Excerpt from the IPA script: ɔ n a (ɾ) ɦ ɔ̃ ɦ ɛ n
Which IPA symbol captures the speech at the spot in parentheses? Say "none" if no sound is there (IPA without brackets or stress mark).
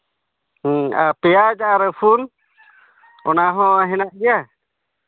none